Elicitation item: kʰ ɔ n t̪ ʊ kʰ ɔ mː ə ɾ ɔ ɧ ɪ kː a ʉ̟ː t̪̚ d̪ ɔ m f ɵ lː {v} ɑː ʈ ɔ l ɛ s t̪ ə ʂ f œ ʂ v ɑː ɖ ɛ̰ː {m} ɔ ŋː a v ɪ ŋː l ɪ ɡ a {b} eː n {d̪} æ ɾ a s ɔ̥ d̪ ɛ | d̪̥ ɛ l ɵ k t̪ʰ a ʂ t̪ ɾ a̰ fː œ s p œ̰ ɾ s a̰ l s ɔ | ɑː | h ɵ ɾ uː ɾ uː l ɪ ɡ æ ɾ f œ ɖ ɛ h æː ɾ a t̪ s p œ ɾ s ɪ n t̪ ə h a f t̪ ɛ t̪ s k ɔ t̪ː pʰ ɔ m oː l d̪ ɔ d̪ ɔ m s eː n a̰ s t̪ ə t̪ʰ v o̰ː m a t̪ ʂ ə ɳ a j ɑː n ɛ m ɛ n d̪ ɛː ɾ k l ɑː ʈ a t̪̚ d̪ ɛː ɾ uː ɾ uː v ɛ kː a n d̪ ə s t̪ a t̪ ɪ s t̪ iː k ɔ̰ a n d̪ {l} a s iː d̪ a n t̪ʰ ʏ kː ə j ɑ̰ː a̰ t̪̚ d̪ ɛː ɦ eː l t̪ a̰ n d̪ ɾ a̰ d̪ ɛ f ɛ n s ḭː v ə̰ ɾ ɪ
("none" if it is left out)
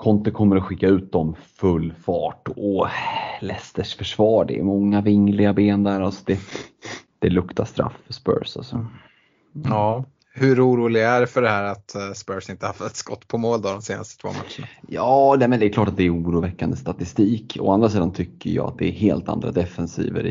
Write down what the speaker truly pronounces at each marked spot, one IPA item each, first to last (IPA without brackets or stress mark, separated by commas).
f, m, b, d̪, ɾ